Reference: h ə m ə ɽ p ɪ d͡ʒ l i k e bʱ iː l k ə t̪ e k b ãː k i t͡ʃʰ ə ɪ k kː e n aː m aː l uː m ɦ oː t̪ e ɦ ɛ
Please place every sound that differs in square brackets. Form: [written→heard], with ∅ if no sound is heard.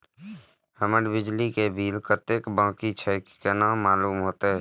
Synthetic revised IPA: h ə m ə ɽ [p→b] ɪ d͡ʒ l i k e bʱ iː l k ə t̪ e k b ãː k i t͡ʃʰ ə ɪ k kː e n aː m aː l uː m ɦ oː t̪ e ɦ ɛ